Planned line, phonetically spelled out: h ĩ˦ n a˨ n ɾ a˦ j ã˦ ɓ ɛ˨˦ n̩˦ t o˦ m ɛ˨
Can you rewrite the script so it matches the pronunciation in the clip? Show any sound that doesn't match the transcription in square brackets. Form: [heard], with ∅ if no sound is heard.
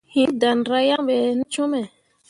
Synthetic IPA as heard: h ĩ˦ [d] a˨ n ɾ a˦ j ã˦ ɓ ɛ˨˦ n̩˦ [t͡ʃ] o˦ m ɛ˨